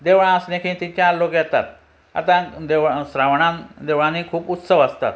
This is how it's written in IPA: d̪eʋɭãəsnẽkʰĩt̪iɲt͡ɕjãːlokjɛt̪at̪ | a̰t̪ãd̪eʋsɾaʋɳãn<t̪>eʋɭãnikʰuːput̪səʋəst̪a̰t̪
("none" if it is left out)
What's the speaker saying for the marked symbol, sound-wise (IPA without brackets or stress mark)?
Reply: d̪